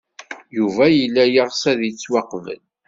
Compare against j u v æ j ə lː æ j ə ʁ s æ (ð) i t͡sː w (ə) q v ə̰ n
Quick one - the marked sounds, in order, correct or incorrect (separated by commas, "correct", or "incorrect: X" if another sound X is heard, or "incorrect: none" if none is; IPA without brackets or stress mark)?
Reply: correct, incorrect: ɑ